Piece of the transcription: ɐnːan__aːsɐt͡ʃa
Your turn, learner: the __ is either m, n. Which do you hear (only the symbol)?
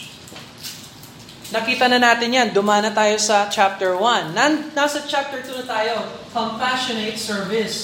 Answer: n